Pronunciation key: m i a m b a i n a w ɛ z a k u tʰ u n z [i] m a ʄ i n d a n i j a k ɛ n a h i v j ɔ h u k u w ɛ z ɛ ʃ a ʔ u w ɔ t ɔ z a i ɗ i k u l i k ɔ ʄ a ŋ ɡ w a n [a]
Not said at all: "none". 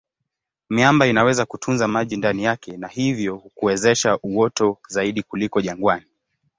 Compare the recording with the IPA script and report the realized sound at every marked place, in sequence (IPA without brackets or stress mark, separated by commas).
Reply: a, i